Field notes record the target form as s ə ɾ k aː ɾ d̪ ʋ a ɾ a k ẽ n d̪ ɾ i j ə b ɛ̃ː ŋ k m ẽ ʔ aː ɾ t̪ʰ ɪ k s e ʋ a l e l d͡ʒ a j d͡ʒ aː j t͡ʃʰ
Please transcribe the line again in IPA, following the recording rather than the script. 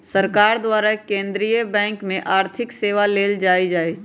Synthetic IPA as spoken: s ə ɾ k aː ɾ d̪ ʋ a ɾ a k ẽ n d̪ ɾ i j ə b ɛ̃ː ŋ k m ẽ ʔ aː ɾ t̪ʰ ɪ k s e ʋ a l e l d͡ʒ a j d͡ʒ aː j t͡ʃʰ